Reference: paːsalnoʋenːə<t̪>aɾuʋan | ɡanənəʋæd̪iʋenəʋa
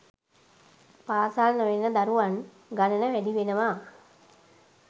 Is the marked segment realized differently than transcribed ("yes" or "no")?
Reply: yes